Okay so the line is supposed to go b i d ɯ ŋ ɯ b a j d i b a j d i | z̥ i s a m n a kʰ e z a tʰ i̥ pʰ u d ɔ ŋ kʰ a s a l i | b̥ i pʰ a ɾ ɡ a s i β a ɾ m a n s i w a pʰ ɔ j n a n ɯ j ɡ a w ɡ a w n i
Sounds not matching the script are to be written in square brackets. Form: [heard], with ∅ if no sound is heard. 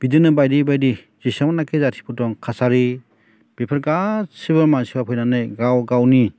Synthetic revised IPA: b i d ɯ [n] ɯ b a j d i b a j d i | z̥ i s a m n a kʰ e z a tʰ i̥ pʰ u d ɔ ŋ kʰ a s a [ɾ] i | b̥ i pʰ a ɾ ɡ a s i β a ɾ m a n s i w a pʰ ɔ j n a n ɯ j ɡ a w ɡ a w n i

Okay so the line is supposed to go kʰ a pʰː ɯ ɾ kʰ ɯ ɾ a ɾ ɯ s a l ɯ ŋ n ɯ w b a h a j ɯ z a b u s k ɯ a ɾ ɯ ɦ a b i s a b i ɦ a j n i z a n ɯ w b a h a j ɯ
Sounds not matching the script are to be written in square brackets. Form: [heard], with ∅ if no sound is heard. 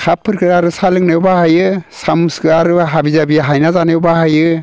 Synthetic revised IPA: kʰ a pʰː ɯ ɾ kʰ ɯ ɾ a ɾ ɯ s a l ɯ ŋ n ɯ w b a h a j ɯ [s] a [m] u s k ɯ a ɾ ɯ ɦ a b i [z] a b i ɦ a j n [a] z a n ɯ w b a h a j ɯ

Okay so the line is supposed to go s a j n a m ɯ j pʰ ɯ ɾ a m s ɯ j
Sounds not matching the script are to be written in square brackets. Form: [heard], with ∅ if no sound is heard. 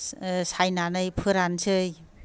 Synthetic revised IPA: s a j n a [n] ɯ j pʰ ɯ ɾ a [n] s ɯ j

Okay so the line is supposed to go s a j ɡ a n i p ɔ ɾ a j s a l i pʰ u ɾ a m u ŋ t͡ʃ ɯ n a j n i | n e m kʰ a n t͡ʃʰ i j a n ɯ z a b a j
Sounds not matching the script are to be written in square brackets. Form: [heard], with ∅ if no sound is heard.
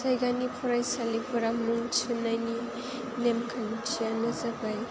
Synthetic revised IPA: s a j ɡ a n i [pʰ] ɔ ɾ a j s a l i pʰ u ɾ a m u ŋ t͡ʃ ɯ n a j n i | n e m kʰ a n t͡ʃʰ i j a n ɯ z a b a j

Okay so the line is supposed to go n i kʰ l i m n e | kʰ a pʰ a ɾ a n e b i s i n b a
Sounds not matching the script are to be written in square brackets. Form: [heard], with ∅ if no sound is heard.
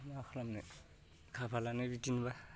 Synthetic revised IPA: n [a] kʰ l [a] m n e | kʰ a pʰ a [l] a n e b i [t] i n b a

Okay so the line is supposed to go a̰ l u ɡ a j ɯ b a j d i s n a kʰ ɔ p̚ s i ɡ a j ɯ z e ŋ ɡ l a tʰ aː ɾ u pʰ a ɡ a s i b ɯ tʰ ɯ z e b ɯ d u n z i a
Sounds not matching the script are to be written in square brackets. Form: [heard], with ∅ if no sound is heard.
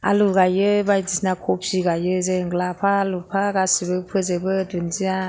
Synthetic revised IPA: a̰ l u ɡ a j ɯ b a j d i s n a kʰ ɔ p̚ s i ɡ a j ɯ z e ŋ ɡ l a [pʰ] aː [l] u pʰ a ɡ a s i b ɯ [pʰ] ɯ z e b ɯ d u n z i a

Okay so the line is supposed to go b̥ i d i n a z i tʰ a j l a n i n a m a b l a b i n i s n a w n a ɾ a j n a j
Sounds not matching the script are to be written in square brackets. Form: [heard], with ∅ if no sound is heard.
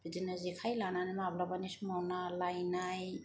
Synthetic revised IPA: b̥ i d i n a z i [kʰ] a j l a n [a] n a m a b l a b [a] n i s [m] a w n a [l] a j n a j

